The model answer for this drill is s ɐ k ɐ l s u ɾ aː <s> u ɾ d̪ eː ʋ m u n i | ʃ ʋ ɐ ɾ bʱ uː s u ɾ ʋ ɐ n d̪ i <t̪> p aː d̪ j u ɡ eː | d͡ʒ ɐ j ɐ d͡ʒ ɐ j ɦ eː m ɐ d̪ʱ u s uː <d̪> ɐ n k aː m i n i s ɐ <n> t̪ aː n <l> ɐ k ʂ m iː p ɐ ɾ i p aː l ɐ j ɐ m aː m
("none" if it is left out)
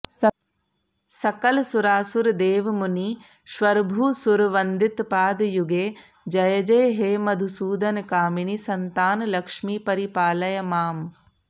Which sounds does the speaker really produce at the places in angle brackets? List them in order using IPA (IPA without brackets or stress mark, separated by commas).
s, t̪, d̪, n, l